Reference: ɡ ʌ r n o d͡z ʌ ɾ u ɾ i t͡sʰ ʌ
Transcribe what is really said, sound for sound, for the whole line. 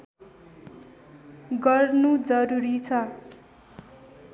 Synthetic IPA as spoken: ɡ ʌ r n u d͡z ʌ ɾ u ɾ i t͡sʰ ʌ